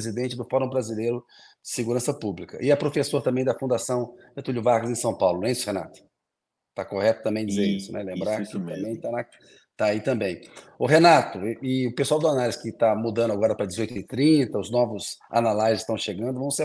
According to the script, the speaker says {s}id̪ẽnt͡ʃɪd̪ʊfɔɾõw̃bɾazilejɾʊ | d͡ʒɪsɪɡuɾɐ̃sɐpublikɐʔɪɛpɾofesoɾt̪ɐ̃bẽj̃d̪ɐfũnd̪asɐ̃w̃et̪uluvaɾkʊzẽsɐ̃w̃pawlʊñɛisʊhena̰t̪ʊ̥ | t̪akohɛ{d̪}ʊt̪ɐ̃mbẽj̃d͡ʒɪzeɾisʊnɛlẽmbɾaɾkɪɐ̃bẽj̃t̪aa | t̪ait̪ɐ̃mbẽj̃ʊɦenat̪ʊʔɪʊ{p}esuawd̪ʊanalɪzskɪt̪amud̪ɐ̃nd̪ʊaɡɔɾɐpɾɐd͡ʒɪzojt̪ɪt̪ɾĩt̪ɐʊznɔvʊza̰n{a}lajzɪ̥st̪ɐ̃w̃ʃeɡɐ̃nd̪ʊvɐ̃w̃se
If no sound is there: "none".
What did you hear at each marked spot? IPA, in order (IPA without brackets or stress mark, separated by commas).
z, t̪, p, a